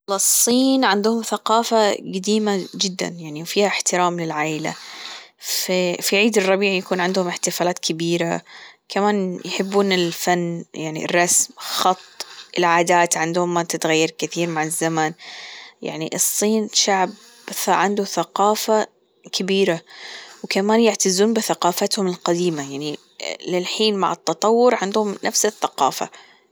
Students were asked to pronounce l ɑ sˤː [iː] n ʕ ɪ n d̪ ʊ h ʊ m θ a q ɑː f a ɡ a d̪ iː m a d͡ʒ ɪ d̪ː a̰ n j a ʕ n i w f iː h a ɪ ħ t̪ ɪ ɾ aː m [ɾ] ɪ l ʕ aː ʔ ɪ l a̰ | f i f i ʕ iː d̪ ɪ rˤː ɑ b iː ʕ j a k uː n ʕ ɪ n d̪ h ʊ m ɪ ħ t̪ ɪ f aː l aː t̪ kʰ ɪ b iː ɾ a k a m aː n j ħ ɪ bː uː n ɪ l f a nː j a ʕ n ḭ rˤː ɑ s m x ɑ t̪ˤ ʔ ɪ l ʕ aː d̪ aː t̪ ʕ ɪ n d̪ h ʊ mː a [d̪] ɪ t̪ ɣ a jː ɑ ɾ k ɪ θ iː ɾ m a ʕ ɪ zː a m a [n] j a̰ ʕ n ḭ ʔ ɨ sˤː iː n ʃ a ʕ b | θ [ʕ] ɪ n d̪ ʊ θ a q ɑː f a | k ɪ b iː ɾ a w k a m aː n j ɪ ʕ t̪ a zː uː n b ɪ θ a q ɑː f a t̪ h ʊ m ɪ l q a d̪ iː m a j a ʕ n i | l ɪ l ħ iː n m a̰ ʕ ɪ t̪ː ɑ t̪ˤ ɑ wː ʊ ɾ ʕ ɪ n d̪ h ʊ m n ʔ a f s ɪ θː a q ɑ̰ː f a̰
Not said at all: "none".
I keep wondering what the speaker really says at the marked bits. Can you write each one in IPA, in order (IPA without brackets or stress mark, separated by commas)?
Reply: iː, l, t̪, n, ʕ